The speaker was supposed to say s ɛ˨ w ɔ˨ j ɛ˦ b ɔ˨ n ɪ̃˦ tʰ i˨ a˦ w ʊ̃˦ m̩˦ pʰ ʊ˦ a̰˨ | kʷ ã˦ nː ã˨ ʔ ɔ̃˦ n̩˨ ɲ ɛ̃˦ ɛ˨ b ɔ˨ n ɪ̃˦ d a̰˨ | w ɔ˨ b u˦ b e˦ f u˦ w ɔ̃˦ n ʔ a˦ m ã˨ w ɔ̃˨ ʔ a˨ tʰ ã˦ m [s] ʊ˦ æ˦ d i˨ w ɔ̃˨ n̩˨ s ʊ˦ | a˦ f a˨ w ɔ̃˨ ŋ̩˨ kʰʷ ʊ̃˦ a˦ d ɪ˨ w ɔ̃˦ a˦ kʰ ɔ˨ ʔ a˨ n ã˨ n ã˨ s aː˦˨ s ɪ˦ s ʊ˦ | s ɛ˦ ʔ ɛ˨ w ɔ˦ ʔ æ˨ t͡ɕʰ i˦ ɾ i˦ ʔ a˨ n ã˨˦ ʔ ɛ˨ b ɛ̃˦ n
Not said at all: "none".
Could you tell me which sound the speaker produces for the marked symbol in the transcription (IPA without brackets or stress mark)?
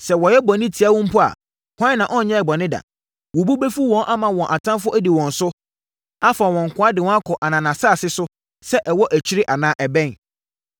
f